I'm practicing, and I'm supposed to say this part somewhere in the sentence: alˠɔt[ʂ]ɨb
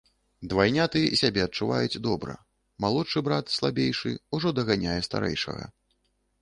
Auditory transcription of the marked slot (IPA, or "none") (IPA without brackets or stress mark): ʂ